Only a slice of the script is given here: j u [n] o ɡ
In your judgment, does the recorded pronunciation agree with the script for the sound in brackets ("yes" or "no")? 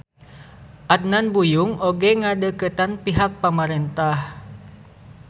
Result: no